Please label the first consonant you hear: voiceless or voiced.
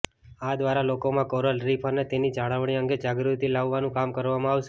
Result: voiced